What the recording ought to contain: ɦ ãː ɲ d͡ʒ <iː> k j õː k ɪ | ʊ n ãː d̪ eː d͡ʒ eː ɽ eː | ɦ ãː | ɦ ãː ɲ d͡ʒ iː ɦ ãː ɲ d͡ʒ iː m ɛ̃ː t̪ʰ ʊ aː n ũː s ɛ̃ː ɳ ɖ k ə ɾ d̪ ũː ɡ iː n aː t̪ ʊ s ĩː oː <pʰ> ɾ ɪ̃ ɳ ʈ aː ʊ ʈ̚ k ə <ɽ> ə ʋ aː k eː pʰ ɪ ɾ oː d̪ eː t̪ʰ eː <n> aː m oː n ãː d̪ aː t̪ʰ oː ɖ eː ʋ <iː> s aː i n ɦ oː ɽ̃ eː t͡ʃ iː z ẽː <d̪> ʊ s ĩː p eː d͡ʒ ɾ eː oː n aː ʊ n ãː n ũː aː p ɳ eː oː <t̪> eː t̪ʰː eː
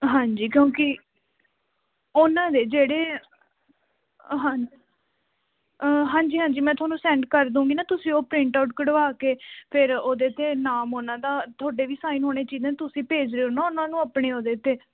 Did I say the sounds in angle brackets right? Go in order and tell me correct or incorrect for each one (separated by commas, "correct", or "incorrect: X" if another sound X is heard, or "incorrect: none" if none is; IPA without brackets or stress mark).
correct, incorrect: p, correct, correct, correct, incorrect: t̪, incorrect: d̪